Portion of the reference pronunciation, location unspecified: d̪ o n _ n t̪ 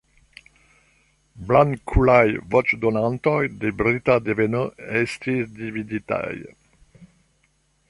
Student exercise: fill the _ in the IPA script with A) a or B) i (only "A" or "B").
A